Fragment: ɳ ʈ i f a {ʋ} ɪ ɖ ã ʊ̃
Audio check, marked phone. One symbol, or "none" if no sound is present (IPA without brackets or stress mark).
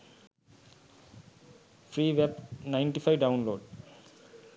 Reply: none